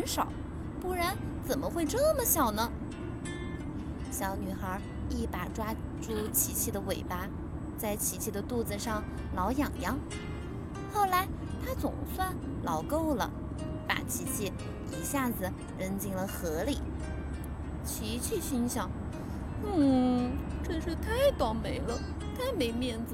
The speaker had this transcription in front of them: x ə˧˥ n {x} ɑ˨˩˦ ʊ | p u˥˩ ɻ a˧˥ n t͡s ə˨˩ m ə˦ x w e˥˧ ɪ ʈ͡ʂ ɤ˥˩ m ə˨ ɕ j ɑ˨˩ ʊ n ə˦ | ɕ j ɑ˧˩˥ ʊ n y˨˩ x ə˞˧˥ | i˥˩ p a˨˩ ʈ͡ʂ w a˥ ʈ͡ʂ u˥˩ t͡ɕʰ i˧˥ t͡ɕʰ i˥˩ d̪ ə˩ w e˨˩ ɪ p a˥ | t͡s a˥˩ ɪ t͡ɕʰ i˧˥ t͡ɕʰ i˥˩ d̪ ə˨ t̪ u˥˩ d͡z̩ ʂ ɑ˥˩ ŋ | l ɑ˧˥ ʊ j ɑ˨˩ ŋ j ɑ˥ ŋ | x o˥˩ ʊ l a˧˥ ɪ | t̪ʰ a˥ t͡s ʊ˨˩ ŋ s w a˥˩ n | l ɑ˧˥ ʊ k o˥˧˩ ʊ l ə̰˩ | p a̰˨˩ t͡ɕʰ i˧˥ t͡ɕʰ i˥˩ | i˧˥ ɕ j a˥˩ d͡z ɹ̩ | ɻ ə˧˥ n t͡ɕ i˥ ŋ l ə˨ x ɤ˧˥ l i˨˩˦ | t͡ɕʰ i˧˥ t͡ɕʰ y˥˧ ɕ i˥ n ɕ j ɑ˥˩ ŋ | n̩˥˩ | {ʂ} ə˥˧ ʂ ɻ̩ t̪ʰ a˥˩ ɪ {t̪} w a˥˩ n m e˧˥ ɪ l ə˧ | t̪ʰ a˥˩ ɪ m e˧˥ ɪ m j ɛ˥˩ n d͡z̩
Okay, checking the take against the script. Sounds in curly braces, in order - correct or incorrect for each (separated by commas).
incorrect, incorrect, correct